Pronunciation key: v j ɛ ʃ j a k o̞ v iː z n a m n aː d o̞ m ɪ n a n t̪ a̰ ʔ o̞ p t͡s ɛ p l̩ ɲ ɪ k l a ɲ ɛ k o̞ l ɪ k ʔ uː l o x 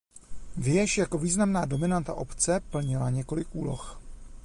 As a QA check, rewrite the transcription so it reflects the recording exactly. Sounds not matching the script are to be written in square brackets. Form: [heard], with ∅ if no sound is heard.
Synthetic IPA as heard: v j ɛ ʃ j a k o̞ v iː z n a m n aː d o̞ m ɪ n a n t̪ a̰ ʔ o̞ p t͡s ɛ p l̩ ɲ ɪ [∅] l a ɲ ɛ k o̞ l ɪ k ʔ uː l o x